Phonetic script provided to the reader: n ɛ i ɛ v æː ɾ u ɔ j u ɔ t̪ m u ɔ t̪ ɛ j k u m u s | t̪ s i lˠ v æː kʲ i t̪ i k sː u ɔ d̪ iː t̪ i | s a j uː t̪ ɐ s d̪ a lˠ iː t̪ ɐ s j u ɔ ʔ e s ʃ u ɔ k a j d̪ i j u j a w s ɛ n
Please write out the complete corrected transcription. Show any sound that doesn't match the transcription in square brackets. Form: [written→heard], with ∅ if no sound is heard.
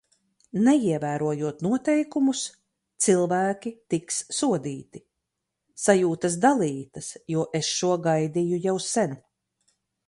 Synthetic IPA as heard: n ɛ i ɛ v æː ɾ u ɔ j u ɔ t̪ [m→n] u ɔ t̪ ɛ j k u m u s | t̪ s i lˠ v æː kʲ i t̪ i k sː u ɔ d̪ iː t̪ i | s a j uː t̪ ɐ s d̪ a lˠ iː t̪ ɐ s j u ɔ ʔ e s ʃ u ɔ [k→ɡ] a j d̪ i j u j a w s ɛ n

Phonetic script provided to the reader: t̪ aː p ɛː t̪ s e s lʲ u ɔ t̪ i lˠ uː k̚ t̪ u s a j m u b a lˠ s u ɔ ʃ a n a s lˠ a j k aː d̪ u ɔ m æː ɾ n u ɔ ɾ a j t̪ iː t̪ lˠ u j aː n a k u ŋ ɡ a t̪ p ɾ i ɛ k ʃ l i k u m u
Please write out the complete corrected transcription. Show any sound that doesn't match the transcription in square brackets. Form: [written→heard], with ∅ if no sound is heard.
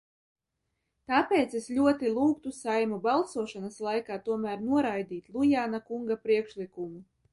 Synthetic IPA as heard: t̪ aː p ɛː t̪ s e s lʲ u ɔ t̪ i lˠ uː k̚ t̪ u s a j m u b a lˠ s u ɔ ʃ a n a s lˠ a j k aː [d̪→t̪] u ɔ m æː ɾ n u ɔ ɾ a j [t̪→d̪] iː t̪ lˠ u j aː n a k u ŋ ɡ a [t̪→∅] p ɾ i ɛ k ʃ l i k u m u

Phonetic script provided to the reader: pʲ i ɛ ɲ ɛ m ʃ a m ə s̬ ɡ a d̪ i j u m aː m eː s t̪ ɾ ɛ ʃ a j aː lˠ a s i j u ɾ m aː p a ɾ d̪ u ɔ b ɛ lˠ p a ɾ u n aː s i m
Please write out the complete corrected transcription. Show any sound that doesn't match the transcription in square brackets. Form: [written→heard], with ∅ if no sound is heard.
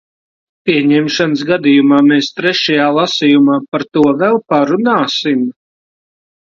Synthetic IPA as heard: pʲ i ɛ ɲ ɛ m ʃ a [m→n] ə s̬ ɡ a d̪ i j u m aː m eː s t̪ ɾ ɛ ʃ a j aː lˠ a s i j u [ɾ→∅] m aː p a ɾ [d̪→t̪] u ɔ [b→v] ɛ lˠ p a ɾ u n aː s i m

